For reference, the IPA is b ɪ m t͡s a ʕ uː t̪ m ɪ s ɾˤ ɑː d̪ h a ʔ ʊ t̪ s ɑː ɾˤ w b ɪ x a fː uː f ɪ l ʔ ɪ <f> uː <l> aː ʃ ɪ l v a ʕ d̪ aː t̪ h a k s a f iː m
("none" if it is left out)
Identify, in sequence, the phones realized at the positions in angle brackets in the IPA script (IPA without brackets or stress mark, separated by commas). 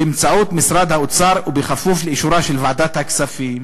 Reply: ʃ, ɾ